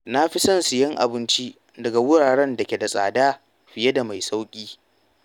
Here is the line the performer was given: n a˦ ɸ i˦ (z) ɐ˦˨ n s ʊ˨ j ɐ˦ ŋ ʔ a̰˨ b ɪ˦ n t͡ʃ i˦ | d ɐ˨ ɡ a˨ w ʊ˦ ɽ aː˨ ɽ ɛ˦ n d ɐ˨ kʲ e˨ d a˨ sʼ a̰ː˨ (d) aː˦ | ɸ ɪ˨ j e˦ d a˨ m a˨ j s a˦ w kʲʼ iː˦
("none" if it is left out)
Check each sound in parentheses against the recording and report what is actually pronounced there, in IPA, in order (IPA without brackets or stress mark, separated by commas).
s, d